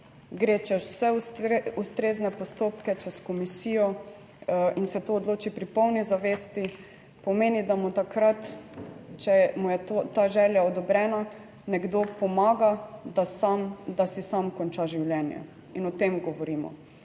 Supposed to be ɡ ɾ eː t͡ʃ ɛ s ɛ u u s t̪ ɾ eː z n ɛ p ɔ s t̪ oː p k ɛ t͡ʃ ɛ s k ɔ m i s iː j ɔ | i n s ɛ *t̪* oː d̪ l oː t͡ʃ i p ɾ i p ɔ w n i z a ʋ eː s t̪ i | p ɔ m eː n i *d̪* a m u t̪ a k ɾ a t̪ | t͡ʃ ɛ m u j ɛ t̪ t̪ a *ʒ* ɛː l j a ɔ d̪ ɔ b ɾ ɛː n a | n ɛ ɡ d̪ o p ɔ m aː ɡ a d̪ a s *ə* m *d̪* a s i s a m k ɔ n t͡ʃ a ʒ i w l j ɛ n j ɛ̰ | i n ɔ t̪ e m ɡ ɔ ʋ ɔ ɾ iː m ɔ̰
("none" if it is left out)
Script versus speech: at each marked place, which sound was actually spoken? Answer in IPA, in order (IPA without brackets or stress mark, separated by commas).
t̪, d̪, ʒ, a, d̪